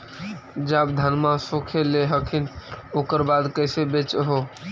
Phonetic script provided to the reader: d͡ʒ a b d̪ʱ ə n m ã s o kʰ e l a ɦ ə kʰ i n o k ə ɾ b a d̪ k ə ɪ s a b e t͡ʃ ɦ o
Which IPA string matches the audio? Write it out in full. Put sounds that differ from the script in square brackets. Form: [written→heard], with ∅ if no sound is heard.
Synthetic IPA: d͡ʒ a b d̪ʱ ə n m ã s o kʰ e l [a→e] ɦ ə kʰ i n o k ə ɾ b a d̪ k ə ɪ s [a→e] b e t͡ʃ ɦ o